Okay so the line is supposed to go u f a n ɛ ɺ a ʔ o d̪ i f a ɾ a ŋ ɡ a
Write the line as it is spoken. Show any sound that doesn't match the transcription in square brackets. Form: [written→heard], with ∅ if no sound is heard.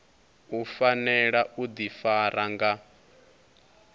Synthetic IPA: u f a n ɛ ɺ a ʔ [o→u] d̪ i f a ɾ a ŋ ɡ a